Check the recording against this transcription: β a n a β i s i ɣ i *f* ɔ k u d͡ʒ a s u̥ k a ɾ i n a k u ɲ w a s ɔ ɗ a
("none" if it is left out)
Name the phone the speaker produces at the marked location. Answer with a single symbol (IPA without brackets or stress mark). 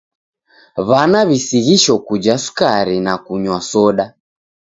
ʃ